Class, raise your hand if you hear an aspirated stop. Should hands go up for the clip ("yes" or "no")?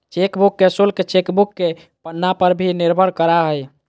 no